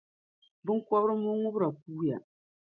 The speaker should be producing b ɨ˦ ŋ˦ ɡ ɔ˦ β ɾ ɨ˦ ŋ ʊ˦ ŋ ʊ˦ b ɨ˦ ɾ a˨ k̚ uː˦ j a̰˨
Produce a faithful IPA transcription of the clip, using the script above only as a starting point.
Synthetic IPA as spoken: b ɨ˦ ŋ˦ k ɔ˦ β ɾ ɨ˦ m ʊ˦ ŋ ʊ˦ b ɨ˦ ɾ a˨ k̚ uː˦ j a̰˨